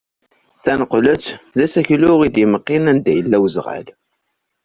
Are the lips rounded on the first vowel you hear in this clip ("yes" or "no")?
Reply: no